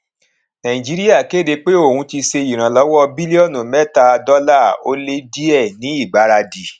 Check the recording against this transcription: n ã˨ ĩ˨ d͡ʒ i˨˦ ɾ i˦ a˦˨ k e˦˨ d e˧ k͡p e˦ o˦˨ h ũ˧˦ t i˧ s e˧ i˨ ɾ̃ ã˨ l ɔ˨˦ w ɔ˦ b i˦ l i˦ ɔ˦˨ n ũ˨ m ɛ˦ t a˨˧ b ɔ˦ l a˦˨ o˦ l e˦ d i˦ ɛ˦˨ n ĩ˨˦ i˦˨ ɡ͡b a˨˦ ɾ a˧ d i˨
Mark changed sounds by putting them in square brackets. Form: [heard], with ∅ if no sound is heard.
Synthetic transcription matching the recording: n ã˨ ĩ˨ d͡ʒ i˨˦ ɾ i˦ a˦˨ k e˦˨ d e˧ k͡p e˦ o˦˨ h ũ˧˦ t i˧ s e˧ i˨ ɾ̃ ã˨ l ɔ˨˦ w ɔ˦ b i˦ l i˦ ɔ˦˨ n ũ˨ m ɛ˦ t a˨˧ [d] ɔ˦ l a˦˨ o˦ l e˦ d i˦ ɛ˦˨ n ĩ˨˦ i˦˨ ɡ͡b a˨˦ ɾ a˧ d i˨